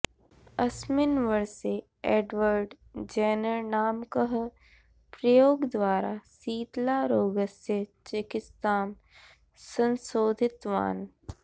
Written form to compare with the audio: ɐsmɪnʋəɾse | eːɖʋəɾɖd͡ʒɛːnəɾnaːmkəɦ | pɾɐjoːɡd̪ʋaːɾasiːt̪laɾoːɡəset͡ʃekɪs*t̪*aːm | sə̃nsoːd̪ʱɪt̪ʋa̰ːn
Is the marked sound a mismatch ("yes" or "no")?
no